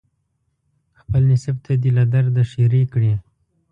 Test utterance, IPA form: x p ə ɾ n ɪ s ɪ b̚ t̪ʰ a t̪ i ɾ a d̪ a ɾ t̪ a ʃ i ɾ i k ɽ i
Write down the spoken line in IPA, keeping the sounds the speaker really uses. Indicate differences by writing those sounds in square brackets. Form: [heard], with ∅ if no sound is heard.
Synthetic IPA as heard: x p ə [l] n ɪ s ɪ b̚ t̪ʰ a [d̪] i [l] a d̪ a ɾ [d̪] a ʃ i ɾ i k ɽ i